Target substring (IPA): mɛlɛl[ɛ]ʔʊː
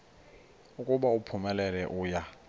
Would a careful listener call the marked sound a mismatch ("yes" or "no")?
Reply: no